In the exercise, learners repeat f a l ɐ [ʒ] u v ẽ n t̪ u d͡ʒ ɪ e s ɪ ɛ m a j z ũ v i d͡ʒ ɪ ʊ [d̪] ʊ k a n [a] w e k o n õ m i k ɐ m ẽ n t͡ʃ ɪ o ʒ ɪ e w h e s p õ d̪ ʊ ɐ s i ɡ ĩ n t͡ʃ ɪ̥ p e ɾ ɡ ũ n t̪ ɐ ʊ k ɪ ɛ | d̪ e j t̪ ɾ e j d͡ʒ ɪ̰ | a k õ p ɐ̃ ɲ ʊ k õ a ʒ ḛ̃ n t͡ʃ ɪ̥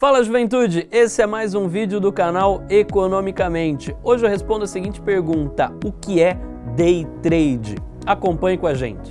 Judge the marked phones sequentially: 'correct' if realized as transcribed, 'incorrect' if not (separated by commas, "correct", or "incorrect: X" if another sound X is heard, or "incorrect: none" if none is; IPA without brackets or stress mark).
correct, correct, correct